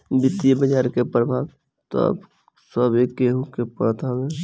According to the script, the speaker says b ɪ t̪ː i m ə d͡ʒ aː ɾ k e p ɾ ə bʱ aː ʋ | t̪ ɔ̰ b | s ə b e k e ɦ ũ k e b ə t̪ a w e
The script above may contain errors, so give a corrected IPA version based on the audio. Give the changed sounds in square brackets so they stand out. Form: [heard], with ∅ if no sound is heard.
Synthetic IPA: b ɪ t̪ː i [b] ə d͡ʒ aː ɾ k e p ɾ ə bʱ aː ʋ | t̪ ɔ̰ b | s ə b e k e ɦ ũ k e [p] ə t̪ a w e

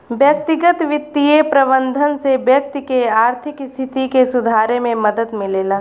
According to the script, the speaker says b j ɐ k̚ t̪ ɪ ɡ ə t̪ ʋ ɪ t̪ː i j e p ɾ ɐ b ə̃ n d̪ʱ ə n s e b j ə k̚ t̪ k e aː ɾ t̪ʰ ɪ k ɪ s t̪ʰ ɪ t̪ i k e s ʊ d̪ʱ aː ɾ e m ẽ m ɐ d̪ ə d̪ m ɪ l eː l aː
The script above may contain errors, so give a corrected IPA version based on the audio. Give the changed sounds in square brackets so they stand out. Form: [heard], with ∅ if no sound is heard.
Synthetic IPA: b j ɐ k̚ t̪ ɪ ɡ ə t̪ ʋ ɪ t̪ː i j e p ɾ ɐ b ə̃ n d̪ʱ ə n s e b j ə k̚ t̪ k e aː ɾ t̪ʰ ɪ k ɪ s t̪ʰ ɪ t̪ i k e s ʊ d̪ʱ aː ɾ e m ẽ m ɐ d̪ ə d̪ m ɪ l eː l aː

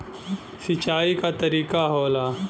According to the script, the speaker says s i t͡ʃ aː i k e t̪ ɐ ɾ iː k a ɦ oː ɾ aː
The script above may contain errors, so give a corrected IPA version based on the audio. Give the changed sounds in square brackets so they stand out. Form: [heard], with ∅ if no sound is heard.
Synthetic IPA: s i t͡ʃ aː i k [a] t̪ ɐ ɾ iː k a ɦ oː [l] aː

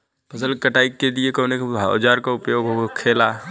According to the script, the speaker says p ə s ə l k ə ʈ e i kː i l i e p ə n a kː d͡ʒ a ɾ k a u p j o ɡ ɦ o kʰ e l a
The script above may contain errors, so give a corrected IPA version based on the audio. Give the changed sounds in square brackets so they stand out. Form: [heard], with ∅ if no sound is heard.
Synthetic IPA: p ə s ə l k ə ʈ [a] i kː [e] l i e [k] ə n [e] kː d͡ʒ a ɾ k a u p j o ɡ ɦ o kʰ e l a

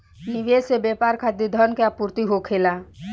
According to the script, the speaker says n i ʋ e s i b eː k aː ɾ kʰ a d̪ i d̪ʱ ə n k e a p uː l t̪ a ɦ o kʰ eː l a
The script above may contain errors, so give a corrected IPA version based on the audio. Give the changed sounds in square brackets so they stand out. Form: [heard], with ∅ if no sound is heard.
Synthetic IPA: n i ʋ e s [e] b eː [p] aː ɾ kʰ a d̪ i d̪ʱ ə n k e a p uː [ɾ] t̪ [i] ɦ o kʰ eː l a

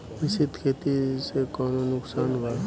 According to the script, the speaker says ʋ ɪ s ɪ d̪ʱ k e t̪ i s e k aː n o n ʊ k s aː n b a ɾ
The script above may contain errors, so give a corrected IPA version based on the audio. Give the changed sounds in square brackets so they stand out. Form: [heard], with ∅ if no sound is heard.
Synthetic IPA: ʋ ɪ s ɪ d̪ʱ [kʰ] e t̪ i s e k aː n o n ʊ k s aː n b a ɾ

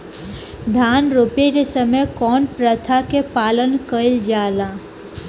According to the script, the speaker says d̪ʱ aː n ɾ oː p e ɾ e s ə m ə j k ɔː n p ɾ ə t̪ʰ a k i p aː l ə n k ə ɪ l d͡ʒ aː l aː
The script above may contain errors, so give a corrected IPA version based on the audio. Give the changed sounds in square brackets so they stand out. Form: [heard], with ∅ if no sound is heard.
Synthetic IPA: d̪ʱ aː n ɾ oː p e ɾ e s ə m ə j k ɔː n p ɾ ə t̪ʰ a k [e] p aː l ə n k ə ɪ l d͡ʒ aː l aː

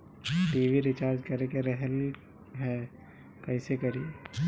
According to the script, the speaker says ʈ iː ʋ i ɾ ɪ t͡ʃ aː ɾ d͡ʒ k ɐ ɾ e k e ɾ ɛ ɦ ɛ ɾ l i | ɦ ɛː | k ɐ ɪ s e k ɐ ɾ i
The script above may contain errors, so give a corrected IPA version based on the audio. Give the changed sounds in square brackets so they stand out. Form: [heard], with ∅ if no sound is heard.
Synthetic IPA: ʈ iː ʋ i ɾ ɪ t͡ʃ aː ɾ d͡ʒ k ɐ ɾ e k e ɾ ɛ ɦ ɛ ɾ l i | ɦ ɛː | k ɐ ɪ s e k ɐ ɾ i

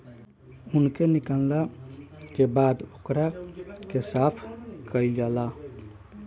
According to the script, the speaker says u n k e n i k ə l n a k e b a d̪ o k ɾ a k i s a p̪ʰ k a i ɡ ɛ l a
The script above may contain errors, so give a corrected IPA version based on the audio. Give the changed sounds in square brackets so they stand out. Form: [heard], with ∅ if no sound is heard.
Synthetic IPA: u n k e n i k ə l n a k e b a d̪ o k ɾ a k [e] s a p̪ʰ k [ə] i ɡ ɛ l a

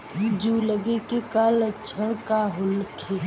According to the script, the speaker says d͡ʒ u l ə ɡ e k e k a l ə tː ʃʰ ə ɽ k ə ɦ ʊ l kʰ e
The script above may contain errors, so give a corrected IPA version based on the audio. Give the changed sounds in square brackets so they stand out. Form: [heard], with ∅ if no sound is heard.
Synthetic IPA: d͡ʒ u l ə ɡ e k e k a l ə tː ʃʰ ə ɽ k [a] ɦ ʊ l kʰ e

